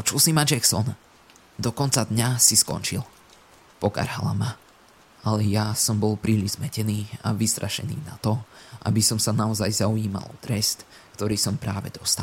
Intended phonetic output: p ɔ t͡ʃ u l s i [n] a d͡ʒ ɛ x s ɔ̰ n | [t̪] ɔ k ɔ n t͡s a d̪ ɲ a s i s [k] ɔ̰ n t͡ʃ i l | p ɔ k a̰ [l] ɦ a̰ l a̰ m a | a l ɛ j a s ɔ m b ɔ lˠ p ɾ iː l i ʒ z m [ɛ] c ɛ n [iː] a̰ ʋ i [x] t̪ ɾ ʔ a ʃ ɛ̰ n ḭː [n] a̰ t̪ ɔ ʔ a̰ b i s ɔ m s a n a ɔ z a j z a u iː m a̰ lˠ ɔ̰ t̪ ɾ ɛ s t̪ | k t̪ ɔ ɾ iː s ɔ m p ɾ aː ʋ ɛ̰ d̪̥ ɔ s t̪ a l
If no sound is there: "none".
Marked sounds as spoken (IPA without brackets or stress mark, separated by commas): m, d̪, k, ɾ, ɛ, iː, s, n